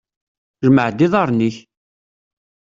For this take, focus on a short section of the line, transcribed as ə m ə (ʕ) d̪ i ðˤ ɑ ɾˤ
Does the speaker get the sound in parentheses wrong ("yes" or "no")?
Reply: no